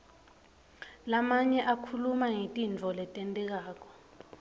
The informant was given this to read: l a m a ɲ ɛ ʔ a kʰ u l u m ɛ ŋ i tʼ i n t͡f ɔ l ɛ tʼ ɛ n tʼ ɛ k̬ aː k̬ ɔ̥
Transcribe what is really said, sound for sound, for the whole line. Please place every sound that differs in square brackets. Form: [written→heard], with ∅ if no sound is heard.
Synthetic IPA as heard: l a m a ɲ ɛ ʔ a kʰ u l u m [ɛ→a] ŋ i tʼ i n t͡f ɔ l ɛ tʼ ɛ n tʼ ɛ k̬ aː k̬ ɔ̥